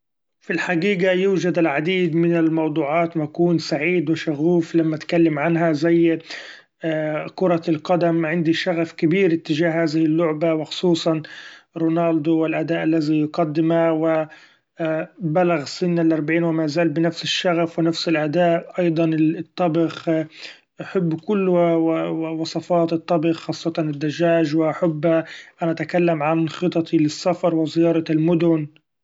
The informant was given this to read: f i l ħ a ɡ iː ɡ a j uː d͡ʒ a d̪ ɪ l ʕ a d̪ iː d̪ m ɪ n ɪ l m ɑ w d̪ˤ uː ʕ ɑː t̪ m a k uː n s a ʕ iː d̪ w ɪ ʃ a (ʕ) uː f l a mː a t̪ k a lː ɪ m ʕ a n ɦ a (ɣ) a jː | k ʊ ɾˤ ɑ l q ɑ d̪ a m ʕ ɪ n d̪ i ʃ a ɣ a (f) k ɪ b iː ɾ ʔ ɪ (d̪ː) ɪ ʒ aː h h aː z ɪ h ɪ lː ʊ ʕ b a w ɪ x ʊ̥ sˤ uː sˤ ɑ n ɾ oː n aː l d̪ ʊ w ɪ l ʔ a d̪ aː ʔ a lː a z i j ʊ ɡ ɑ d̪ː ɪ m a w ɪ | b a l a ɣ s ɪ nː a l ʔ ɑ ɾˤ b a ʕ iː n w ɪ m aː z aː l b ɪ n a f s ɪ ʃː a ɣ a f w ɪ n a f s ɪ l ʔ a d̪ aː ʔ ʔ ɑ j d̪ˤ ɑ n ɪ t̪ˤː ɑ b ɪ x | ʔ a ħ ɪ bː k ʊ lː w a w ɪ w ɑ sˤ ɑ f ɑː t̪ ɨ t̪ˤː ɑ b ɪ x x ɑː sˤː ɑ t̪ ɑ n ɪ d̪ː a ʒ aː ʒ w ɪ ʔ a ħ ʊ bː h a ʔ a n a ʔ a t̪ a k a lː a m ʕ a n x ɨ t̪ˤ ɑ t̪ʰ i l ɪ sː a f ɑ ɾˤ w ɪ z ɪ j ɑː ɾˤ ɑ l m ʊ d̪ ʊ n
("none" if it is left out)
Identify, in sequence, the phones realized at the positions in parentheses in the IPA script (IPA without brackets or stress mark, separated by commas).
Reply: ɣ, z, f, t̪ː